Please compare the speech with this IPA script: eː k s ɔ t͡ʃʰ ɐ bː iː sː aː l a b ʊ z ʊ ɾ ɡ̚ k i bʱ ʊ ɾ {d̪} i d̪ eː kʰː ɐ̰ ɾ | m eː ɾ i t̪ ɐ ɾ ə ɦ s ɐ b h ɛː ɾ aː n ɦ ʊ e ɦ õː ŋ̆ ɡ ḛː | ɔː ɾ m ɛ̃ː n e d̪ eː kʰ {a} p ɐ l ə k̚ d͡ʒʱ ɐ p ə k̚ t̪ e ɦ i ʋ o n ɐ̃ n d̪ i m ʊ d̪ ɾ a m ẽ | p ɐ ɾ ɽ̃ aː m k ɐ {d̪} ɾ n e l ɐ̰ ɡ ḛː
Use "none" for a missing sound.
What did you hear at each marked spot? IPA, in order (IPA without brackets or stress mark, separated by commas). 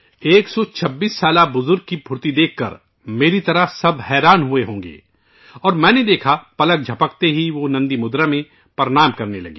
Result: t̪, a, none